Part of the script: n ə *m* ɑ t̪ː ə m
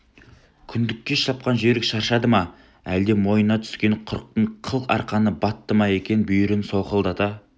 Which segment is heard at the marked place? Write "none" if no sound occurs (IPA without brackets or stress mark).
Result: b